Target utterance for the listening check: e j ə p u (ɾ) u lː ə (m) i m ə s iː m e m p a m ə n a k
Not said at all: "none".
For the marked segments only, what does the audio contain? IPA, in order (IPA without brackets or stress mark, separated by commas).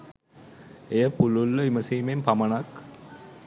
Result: l, none